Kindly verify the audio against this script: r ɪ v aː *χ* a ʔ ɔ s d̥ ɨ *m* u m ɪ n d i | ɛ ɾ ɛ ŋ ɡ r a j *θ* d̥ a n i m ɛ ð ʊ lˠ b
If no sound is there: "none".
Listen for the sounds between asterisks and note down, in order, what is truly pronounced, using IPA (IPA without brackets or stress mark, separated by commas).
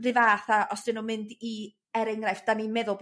θ, n, f